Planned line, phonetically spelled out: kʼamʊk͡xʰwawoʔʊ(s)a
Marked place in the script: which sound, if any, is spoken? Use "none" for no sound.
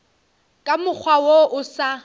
s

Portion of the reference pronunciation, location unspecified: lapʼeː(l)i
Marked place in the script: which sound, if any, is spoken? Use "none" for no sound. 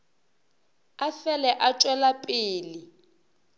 l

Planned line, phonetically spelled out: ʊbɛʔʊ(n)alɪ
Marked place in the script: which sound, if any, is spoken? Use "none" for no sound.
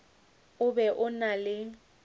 n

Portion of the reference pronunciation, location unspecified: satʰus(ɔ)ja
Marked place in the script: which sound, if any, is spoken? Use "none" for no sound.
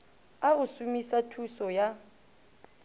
ɔ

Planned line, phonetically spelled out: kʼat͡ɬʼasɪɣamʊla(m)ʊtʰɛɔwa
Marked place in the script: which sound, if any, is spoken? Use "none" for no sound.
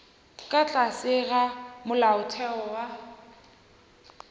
none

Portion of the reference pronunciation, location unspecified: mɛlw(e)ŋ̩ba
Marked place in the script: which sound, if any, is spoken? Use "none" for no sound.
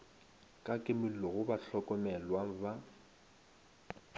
a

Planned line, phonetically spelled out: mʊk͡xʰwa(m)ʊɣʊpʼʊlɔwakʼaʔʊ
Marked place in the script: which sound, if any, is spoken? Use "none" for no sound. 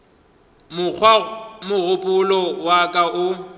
m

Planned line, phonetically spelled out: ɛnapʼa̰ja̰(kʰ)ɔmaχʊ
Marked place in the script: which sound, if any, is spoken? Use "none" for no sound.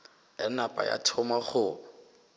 tʰ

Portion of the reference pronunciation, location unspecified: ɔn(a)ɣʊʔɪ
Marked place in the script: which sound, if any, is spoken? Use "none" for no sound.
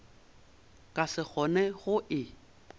ɛ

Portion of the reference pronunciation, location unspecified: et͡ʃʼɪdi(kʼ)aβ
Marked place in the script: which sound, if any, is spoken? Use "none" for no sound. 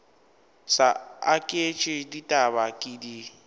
tʼ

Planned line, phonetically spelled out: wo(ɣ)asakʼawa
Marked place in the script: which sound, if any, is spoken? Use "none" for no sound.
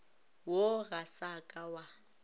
ɣ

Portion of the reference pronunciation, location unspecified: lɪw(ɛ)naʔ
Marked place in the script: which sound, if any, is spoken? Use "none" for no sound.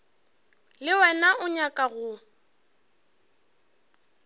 ɛ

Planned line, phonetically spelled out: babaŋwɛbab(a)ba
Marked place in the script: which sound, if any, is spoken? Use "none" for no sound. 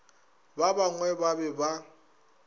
ɛ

